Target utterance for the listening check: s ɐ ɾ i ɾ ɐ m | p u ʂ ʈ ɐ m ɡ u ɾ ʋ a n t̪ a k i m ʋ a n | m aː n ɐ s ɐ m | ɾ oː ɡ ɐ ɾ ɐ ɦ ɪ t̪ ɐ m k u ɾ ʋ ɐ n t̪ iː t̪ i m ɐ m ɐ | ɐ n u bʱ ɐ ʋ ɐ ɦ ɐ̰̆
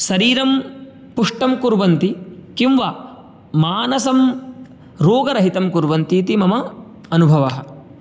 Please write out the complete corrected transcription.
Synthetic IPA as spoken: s ɐ ɾ iː ɾ ɐ m | p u ʂ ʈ ɐ m k u ɾ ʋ ɐ n t̪ i k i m ʋ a | m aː n ɐ s ɐ m | ɾ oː ɡ ɐ ɾ ɐ ɦ i t̪ ɐ m k u ɾ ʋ ɐ n t̪ iː t̪ i m ɐ m ɐ | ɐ n u bʱ ɐ ʋ ɐ ɦ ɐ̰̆